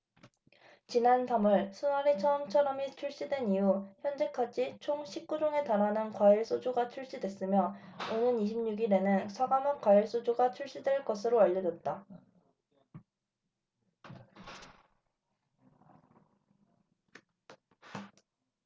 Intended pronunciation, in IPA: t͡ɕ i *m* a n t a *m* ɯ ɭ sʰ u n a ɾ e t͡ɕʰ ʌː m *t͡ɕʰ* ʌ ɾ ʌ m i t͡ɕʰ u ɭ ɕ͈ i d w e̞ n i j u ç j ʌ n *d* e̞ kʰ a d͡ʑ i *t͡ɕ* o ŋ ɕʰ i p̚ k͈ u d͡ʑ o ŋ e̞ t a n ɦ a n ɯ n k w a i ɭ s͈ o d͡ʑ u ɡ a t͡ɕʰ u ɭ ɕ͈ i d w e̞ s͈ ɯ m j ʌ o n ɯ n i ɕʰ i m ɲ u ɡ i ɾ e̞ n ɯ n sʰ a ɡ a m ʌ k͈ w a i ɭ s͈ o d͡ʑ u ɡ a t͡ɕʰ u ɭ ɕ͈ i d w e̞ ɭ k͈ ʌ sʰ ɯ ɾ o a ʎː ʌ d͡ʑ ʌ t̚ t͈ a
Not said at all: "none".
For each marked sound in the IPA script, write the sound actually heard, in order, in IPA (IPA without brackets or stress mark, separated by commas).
n, m, t͡ɕʰ, d͡ʑ, t͡ɕʰ